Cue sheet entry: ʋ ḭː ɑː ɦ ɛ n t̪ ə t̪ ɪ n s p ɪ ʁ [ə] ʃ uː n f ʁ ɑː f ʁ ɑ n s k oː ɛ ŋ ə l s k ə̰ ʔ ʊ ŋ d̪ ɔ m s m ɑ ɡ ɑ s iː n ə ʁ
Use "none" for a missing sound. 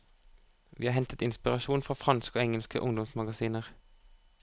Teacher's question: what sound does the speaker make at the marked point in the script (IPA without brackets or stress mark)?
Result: ɑ